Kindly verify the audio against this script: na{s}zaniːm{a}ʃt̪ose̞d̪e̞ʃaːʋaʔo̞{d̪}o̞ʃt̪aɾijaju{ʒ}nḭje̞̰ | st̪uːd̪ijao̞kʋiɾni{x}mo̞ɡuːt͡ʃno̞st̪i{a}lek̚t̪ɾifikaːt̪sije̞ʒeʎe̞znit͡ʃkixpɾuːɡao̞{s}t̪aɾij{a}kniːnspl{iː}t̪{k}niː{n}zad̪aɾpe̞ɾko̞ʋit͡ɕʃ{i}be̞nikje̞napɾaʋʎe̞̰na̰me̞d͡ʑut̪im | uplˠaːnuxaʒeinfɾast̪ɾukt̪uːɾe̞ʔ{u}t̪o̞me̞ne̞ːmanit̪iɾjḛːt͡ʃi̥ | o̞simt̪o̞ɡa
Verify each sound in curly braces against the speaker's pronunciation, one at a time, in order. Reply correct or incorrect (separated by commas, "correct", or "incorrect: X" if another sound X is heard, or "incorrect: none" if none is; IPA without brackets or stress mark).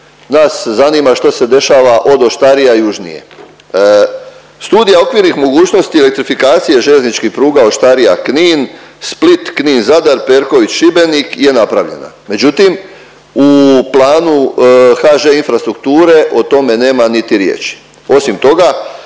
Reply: correct, correct, correct, correct, correct, incorrect: e, incorrect: ʃ, correct, incorrect: i, correct, correct, correct, incorrect: o